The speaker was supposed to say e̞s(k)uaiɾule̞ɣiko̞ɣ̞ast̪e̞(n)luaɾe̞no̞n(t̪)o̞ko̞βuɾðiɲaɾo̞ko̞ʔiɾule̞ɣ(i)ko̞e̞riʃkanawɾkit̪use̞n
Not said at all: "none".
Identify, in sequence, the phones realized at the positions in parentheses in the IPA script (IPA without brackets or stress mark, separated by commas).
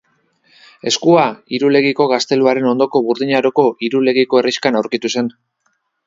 k, none, d̪, i